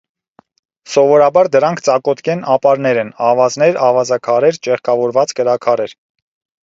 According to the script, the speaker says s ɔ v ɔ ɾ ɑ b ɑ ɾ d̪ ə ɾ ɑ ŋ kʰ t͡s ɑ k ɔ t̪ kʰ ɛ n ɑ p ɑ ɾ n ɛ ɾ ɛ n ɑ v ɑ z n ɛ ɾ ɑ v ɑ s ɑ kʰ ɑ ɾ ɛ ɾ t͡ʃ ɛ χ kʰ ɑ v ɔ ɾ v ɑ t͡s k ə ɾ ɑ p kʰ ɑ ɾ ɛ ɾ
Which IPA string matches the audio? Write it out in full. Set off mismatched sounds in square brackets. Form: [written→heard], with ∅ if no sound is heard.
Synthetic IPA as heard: s ɔ v ɔ ɾ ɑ b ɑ ɾ d̪ ə ɾ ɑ ŋ kʰ t͡s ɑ k ɔ t̪ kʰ ɛ n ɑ p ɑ ɾ n ɛ ɾ ɛ n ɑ v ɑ z n ɛ ɾ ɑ v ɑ [s→z] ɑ kʰ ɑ ɾ ɛ ɾ t͡ʃ ɛ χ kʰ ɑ v ɔ ɾ v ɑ t͡s k ə ɾ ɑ [p→∅] kʰ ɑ ɾ ɛ ɾ

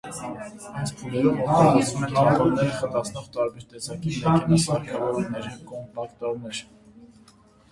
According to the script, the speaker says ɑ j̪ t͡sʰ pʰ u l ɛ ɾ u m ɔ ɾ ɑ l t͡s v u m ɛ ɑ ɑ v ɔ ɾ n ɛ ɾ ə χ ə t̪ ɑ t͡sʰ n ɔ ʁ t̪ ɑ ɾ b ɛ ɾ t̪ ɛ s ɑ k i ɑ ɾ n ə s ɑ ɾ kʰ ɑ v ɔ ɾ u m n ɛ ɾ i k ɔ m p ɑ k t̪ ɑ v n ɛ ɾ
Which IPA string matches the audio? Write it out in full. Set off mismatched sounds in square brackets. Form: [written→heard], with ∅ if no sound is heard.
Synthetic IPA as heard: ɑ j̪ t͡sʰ pʰ u l ɛ ɾ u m ɔ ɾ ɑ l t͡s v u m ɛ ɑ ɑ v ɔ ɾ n ɛ ɾ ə χ ə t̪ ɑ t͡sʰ n ɔ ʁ t̪ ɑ ɾ b ɛ ɾ t̪ ɛ s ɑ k i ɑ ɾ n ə s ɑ ɾ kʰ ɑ v ɔ ɾ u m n ɛ ɾ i k ɔ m p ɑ k t̪ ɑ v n ɛ ɾ

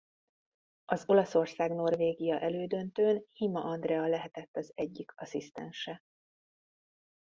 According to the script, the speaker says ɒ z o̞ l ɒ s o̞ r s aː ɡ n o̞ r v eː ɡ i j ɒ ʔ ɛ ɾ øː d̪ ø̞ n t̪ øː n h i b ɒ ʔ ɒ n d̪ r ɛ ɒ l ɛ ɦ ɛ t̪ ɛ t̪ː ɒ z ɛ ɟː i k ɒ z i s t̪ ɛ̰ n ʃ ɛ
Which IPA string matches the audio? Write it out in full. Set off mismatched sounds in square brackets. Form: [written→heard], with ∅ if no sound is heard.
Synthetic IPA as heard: ɒ z o̞ l ɒ s o̞ r s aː ɡ n o̞ r v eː ɡ i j ɒ ʔ ɛ [ɾ→l] øː d̪ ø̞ n t̪ øː n h i [b→m] ɒ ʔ ɒ n d̪ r ɛ ɒ l ɛ ɦ ɛ t̪ ɛ t̪ː ɒ z ɛ ɟː i k ɒ [z→s] i s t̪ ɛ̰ n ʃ ɛ

